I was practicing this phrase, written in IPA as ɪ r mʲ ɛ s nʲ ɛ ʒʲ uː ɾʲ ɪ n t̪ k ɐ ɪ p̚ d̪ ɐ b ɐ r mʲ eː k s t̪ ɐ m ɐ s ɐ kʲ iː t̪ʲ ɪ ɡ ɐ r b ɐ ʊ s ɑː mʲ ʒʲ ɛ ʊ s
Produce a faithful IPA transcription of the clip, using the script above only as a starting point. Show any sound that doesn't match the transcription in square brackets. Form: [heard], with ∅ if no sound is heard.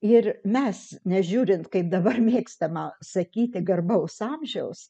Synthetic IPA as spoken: ɪ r mʲ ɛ s nʲ ɛ ʒʲ uː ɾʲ ɪ n t̪ k ɐ ɪ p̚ d̪ ɐ b ɐ r mʲ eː k s t̪ ɐ m ɐ s ɐ kʲ iː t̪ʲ ɪ ɡ ɐ r b ɐ ʊ s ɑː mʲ ʒʲ ɛ ʊ s